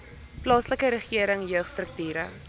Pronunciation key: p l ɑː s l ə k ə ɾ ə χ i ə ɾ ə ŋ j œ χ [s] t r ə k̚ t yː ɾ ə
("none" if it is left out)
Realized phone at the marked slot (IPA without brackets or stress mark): s